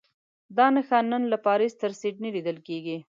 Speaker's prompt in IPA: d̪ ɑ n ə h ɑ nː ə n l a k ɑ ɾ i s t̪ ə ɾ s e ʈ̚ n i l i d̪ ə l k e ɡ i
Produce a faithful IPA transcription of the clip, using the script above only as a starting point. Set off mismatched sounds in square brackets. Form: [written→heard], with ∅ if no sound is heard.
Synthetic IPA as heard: d̪ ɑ n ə [h→x] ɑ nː ə n l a [k→p] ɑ ɾ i s t̪ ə ɾ s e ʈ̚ n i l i d̪ ə l k e ɡ i

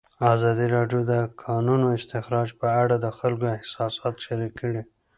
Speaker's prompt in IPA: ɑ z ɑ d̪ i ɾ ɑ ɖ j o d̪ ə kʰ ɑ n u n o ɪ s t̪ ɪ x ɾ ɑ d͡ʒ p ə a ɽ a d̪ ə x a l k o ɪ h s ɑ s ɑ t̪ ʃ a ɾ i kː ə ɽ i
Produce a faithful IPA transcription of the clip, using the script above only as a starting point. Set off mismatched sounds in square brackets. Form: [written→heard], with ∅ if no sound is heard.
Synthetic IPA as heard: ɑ z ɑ d̪ i ɾ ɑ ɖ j o d̪ ə kʰ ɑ n u n o ɪ s t̪ ɪ x ɾ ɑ d͡ʒ p ə a ɽ a d̪ ə x a l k o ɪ h s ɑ s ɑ t̪ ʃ a ɾ i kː ə ɽ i

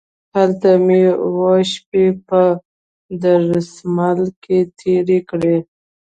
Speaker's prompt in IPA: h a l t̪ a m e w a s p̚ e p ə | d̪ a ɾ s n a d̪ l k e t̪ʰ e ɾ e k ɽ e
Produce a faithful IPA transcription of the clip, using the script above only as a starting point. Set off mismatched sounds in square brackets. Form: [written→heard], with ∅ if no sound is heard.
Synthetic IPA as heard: h a l t̪ a m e w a [s→ʃ] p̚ e p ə | d̪ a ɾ s [n→m] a [d̪→∅] l k e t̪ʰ e ɾ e k ɽ e

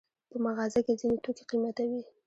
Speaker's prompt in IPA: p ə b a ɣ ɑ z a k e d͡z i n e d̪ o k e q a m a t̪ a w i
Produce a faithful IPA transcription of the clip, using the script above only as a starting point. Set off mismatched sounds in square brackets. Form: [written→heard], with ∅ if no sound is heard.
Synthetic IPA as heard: p ə [b→m] a ɣ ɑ z a k e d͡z i n e [d̪→t̪] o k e q [a→i] m a t̪ a w i

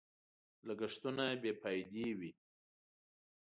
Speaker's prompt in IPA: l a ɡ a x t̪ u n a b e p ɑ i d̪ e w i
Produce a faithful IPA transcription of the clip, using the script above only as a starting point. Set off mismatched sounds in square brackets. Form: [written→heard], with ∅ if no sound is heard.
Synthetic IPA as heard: l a ɡ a [x→ʂ] t̪ u n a b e p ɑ [i→j] d̪ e w i

